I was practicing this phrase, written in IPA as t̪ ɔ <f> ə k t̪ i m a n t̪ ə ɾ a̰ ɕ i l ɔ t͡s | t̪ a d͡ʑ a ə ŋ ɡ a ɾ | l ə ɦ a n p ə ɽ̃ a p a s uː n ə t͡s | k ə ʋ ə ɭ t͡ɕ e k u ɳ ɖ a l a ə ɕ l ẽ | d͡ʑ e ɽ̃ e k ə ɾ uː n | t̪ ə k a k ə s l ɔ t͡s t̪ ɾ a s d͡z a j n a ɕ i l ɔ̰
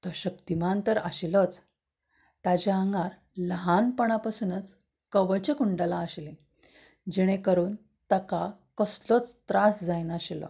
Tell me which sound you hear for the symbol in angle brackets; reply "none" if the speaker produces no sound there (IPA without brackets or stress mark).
ɕ